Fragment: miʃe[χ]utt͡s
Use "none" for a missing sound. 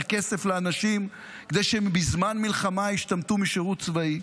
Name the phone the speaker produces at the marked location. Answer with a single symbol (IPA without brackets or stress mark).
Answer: ʁ